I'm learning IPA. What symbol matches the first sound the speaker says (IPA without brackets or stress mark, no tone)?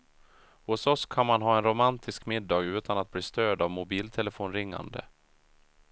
h